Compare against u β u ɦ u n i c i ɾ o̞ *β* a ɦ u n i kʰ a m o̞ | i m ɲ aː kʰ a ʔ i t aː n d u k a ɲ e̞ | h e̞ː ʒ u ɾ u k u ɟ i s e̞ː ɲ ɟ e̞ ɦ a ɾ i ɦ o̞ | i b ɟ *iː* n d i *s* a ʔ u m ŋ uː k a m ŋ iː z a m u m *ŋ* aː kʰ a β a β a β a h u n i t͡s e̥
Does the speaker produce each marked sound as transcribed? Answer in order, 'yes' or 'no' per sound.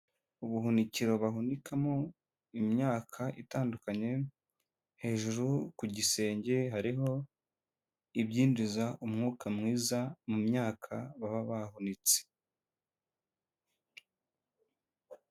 yes, yes, no, no

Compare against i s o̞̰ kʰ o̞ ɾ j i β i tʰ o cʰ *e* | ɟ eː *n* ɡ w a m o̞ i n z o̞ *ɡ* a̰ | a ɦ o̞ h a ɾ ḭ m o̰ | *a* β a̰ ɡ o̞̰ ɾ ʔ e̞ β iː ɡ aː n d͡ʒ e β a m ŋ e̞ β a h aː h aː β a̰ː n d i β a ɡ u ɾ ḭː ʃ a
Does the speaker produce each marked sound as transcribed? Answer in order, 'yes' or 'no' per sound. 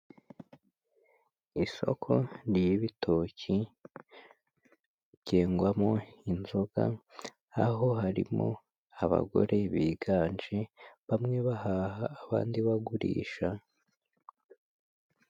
no, no, yes, yes

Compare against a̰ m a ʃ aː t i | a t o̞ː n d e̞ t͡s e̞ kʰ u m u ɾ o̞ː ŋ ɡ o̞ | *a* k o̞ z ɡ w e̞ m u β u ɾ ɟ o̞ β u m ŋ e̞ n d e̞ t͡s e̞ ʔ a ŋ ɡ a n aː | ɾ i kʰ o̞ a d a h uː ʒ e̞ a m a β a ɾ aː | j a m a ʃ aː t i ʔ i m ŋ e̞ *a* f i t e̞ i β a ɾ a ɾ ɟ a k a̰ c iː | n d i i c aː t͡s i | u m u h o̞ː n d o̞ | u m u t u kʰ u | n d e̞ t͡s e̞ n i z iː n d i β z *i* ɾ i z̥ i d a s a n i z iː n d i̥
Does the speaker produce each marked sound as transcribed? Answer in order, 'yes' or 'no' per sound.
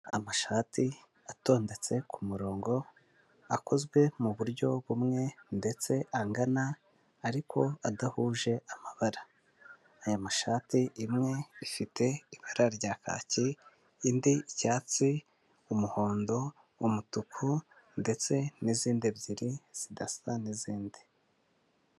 yes, no, yes

